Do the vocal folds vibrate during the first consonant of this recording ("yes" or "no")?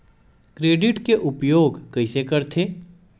no